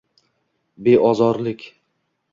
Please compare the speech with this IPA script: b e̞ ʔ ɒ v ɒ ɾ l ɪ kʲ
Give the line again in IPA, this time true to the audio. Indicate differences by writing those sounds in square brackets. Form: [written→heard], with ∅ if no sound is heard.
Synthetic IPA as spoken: b e̞ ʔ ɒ [v→z] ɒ ɾ l ɪ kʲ